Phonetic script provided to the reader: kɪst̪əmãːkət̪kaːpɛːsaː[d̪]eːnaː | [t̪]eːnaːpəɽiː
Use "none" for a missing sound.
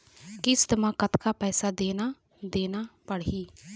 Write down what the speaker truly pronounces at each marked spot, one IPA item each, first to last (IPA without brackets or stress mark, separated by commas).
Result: d̪, d̪